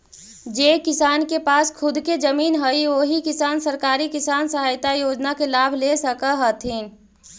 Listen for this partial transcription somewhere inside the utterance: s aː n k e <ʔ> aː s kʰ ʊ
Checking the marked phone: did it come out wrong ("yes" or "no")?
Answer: yes